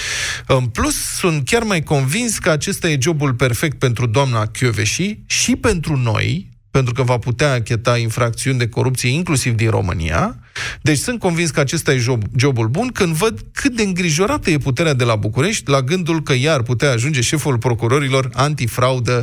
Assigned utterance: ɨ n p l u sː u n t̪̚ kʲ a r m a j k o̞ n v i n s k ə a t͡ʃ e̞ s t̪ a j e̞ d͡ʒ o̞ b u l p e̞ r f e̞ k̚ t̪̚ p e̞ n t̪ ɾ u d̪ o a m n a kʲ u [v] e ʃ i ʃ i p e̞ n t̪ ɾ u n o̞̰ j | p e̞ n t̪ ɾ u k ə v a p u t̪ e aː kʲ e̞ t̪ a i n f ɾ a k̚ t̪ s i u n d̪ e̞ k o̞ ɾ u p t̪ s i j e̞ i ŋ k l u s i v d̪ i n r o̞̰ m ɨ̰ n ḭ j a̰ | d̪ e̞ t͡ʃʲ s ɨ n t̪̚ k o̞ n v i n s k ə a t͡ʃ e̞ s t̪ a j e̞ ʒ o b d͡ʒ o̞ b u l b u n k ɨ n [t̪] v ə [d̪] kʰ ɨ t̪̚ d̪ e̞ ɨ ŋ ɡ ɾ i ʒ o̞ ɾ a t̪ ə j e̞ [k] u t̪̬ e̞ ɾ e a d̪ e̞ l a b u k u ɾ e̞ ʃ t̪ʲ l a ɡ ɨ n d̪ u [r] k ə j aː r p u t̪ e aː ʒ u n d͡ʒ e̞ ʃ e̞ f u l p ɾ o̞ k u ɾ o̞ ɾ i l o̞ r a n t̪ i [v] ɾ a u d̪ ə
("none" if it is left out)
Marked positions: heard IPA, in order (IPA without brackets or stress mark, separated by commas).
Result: v, d̪, d̪, p, l, f